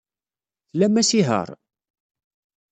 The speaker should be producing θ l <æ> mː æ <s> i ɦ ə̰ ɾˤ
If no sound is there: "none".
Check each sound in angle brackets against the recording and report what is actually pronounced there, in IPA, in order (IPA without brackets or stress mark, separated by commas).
æ, s